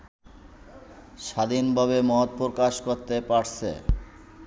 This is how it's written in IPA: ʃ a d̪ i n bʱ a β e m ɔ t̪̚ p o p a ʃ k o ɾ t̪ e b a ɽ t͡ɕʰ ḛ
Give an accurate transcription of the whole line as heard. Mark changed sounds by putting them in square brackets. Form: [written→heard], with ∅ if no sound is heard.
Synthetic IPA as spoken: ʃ a d̪ i n bʱ a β e m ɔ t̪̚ p o [p→k] a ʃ k o ɾ t̪ e [b→p] a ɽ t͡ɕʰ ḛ